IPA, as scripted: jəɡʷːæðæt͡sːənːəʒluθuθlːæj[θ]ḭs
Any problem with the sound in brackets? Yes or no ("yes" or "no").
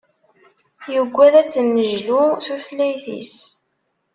no